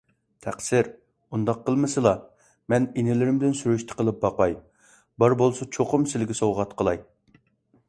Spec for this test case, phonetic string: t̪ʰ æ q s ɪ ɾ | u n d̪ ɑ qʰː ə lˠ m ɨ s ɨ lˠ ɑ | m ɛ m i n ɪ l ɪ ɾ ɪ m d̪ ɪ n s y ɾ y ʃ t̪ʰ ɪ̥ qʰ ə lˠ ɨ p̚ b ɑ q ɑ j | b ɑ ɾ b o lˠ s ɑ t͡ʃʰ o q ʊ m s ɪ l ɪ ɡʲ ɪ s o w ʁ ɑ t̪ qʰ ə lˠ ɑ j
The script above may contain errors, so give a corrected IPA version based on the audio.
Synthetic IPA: t̪ʰ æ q s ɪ ɾ | u n d̪ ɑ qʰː ə lˠ m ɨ s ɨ lˠ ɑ | m ɛ n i n ɪ l ɪ ɾ ɪ m d̪ ɪ n s y ɾ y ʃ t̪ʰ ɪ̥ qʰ ə lˠ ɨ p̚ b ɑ q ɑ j | b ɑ ɾ b o lˠ s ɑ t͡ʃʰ o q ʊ m s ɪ l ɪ ɡʲ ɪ s o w ʁ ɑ t̪ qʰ ə lˠ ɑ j